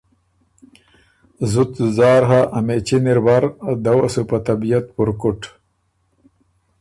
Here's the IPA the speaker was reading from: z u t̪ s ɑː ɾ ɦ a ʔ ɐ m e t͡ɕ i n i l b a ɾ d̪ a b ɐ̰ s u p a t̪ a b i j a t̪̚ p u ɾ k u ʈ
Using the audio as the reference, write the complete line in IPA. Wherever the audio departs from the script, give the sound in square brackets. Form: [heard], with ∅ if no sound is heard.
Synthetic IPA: z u t̪ [z] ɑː ɾ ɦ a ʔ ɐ m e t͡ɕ i n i [ɾ] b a ɾ d̪ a [w] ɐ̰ s u p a t̪ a b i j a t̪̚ p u ɾ k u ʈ

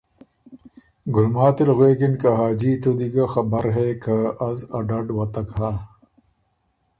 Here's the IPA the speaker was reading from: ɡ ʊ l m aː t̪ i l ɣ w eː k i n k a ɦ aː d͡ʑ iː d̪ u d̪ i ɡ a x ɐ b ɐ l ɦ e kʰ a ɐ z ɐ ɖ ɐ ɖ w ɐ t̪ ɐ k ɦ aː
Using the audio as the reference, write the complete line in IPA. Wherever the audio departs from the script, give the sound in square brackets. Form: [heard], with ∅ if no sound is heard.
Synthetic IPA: ɡ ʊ l m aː t̪ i l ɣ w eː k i n k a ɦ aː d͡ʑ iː [t̪] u d̪ i ɡ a x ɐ b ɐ [ɾ] ɦ e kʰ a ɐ z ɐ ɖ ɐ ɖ w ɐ t̪ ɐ k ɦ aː

